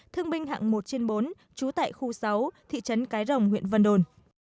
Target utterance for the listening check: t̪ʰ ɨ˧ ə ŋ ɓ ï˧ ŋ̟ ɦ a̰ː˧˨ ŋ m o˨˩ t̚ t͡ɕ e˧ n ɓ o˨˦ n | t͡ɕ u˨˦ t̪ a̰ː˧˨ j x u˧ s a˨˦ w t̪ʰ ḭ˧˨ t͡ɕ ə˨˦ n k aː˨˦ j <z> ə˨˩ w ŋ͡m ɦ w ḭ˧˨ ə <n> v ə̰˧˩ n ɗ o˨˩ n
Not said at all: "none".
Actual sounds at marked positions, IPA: z, n

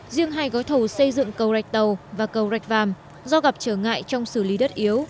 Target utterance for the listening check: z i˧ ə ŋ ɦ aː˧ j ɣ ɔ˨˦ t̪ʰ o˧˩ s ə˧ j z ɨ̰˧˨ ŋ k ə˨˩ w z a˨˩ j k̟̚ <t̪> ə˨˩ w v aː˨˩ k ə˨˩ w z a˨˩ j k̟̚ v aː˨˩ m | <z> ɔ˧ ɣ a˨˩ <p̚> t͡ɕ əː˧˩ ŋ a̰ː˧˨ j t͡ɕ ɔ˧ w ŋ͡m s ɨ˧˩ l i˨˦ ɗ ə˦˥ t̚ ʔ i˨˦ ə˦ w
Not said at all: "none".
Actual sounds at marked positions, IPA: t̪, z, p̚

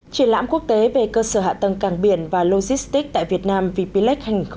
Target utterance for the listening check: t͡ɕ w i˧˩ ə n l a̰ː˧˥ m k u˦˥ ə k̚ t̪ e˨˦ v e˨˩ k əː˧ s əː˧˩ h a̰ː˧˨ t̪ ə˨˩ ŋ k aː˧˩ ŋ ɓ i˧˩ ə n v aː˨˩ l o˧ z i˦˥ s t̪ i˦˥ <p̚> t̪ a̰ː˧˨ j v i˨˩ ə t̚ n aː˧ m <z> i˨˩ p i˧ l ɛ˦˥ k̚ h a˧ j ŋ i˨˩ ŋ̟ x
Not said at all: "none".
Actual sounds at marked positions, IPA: k̚, v

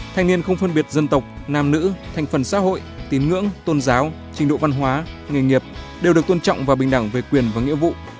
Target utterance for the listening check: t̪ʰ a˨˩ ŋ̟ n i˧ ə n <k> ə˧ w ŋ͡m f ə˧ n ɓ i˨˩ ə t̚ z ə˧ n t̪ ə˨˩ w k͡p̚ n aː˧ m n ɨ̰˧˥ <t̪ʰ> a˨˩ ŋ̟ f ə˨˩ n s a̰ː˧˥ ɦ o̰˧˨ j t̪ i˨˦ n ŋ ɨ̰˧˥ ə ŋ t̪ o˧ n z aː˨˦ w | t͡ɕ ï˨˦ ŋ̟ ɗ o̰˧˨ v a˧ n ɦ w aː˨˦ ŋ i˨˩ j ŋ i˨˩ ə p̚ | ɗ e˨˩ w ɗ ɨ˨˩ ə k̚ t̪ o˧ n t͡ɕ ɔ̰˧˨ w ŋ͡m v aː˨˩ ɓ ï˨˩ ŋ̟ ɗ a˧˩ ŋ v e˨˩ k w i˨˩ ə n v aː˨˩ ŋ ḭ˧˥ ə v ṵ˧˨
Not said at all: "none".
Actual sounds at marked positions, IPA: x, t̪ʰ

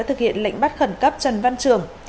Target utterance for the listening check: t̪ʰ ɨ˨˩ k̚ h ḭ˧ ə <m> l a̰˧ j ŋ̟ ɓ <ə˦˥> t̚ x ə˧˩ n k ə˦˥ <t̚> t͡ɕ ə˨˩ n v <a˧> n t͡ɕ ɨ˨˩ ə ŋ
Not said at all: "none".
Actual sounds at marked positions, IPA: n, a˦˥, p̚, a˧

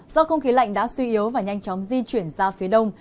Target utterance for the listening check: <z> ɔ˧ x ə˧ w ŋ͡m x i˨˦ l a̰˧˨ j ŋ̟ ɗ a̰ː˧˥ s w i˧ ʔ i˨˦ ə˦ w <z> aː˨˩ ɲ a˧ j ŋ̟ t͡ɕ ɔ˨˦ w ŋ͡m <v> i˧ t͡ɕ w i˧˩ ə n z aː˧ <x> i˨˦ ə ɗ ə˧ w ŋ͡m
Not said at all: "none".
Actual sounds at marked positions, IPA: z, v, z, f

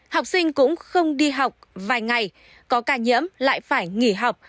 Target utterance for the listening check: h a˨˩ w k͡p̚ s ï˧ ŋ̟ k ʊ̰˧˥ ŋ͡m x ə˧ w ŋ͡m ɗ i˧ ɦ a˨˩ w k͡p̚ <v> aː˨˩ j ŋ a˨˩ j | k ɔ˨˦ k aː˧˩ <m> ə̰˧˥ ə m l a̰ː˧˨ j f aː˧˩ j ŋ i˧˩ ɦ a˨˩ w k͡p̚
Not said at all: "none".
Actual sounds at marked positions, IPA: v, ɲ

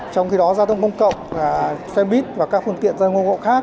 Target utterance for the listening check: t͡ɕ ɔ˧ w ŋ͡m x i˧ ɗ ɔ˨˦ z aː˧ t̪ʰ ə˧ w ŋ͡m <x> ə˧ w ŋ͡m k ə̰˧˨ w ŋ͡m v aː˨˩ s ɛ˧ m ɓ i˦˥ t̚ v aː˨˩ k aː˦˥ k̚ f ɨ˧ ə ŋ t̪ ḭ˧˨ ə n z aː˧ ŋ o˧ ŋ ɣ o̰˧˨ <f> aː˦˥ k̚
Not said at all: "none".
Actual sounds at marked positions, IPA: k, x

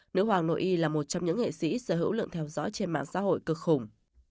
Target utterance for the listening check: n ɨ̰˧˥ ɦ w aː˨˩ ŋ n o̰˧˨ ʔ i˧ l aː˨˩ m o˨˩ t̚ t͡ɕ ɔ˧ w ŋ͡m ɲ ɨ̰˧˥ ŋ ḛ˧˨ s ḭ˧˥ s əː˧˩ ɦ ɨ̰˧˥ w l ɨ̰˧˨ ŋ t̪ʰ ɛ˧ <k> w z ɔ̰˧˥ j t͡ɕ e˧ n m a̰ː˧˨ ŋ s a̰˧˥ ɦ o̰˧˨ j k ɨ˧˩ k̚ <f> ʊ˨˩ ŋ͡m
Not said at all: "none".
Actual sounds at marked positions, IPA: none, x

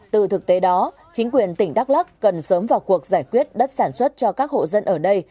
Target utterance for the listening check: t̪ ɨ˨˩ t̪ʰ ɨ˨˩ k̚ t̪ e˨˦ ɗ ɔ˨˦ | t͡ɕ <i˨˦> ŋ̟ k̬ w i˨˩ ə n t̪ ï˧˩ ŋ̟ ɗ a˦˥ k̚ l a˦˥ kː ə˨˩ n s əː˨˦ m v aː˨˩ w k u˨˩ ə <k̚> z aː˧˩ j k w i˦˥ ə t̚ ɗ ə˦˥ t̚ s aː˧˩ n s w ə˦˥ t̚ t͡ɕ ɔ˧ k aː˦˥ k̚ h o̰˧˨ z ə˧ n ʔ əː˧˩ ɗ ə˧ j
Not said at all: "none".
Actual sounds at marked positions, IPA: i˨˦, k̚

